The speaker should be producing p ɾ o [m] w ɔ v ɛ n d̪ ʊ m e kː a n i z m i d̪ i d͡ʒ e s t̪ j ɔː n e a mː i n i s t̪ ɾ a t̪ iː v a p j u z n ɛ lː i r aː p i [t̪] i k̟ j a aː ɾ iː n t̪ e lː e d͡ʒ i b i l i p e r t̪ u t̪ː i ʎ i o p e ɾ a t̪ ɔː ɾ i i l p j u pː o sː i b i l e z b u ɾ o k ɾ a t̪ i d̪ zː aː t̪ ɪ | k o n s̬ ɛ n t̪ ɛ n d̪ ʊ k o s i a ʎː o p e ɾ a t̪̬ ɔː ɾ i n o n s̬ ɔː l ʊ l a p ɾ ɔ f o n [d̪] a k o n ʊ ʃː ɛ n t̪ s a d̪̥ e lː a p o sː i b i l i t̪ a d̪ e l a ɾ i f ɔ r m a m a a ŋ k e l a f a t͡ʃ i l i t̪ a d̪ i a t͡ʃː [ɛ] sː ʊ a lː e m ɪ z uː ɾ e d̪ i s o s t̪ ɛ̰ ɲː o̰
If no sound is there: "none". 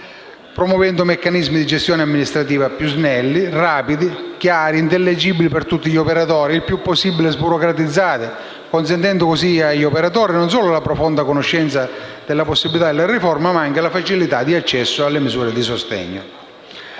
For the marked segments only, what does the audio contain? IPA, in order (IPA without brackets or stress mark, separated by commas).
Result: m, d̪, d̪, ɛ